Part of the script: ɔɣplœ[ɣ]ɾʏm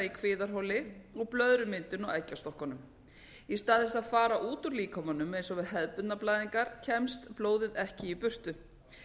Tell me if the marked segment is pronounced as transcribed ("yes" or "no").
no